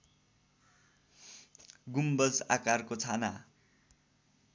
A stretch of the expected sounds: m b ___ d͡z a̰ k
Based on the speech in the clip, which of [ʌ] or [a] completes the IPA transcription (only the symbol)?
ʌ